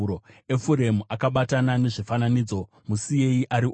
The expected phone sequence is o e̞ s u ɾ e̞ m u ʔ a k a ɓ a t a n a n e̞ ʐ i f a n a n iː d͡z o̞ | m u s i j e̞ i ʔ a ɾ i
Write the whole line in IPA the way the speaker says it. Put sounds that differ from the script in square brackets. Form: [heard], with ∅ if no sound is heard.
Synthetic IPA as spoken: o e̞ [f] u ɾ e̞ m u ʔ a k a ɓ a t a n a n e̞ ʐ i f a n a n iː d͡z o̞ | m u s i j e̞ i ʔ a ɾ i